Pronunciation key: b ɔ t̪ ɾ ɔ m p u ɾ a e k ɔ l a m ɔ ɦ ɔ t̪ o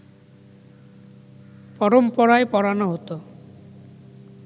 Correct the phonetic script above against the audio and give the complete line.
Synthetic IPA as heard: p ɔ ɾ ɔ m p ɔ ɾ a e p ɔ ɾ a n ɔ ɦ o t̪ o